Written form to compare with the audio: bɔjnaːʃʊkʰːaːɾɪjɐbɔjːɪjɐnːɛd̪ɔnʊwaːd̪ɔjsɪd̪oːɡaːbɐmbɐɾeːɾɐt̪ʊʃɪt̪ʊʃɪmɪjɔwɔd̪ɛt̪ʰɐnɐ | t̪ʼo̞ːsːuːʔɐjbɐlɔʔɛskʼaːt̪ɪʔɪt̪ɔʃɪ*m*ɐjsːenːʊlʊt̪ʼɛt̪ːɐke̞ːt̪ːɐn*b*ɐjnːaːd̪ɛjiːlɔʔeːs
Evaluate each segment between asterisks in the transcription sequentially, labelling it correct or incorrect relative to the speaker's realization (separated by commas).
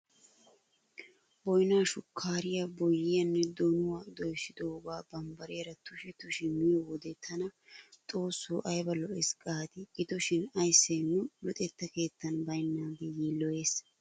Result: incorrect, correct